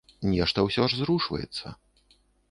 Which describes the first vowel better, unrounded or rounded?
unrounded